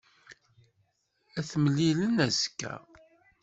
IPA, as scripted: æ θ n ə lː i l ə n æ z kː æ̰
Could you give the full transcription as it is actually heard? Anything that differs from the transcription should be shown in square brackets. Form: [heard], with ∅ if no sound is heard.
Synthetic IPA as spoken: æ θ [m] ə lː i l ə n æ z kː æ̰